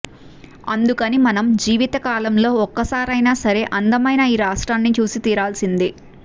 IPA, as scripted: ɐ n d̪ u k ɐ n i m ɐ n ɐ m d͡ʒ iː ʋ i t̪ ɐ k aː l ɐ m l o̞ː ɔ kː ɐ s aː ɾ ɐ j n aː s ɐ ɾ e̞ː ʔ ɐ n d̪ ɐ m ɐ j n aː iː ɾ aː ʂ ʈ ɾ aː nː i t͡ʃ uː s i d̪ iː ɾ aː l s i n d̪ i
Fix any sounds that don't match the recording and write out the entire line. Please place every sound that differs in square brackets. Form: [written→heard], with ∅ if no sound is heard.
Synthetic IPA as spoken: ɐ n d̪ u k ɐ n i m ɐ n ɐ m d͡ʒ iː ʋ i t̪ ɐ k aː l ɐ m l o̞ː ɔ kː ɐ s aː ɾ ɐ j n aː s ɐ ɾ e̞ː ʔ ɐ n d̪ ɐ m ɐ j n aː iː ɾ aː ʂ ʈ ɾ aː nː i t͡ʃ uː s i [d̪→t̪] iː ɾ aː l s i n d̪ i